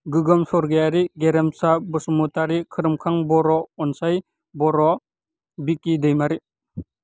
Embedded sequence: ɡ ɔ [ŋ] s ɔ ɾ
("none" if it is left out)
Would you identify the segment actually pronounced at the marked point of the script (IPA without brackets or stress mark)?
m